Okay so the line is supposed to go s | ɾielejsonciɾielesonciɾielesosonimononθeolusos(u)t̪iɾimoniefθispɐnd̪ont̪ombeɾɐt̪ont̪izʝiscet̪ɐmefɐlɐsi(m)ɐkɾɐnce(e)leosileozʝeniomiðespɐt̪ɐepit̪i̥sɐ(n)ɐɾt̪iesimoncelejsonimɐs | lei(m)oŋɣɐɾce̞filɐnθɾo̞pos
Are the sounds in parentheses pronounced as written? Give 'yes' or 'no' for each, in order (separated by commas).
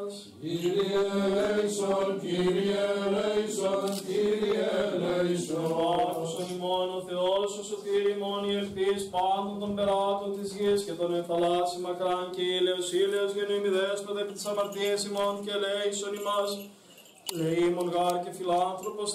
no, yes, no, no, yes